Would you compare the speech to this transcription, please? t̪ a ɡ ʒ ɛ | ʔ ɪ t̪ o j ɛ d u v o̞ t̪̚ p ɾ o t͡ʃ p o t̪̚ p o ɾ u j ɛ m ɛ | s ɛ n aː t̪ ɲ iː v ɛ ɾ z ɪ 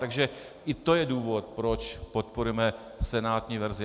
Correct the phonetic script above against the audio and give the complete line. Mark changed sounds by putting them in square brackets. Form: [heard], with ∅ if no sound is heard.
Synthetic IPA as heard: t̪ a ɡ ʒ ɛ | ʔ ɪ t̪ o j ɛ d [uː] v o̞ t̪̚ p ɾ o t͡ʃ p o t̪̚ p o ɾ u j ɛ m ɛ | s ɛ n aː t̪ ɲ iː v ɛ ɾ z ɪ

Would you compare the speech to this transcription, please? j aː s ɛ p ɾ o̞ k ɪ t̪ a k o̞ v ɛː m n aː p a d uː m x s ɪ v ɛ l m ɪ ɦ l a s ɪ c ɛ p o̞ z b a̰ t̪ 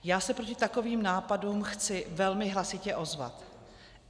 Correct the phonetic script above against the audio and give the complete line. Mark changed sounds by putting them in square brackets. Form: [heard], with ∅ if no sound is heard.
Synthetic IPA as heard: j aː s ɛ p ɾ o̞ [c] ɪ t̪ a k o̞ v [iː] m n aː p a d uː m x [t͡s] ɪ v ɛ l m ɪ ɦ l a s ɪ c ɛ [ʔ] o̞ z [v] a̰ t̪

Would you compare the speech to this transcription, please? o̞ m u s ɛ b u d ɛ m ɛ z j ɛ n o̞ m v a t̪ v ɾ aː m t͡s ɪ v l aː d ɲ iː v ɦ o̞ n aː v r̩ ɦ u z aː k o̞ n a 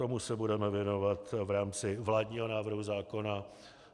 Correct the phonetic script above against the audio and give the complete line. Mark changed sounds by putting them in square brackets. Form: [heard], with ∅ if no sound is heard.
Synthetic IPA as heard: o̞ m u s ɛ b u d ɛ m ɛ [v] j ɛ n o̞ [∅] v a t̪ v ɾ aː m t͡s ɪ v l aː d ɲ iː [∅] ɦ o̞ n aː v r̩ ɦ u z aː k o̞ n a

